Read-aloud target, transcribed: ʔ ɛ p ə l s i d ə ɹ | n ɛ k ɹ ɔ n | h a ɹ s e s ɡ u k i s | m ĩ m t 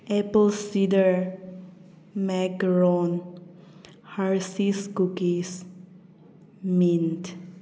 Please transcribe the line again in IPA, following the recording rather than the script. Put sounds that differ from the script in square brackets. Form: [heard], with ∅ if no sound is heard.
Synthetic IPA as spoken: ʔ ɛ p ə l s i d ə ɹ | [m] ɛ k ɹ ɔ n | h a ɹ s [i] s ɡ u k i s | m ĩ [n] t